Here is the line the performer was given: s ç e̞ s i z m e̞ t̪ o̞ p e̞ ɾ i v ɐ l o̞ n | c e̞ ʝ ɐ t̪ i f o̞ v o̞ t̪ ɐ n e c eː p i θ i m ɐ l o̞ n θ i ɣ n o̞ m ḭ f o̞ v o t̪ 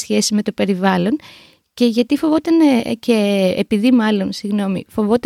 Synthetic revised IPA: s ç e̞ s i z m e̞ t̪ o̞ p e̞ ɾ i v ɐ l o̞ n | c e̞ ʝ ɐ t̪ i f o̞ v o̞ t̪ ɐ n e c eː p i ð i m ɐ l o̞ n s i ɣ n o̞ m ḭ f o̞ v o t̪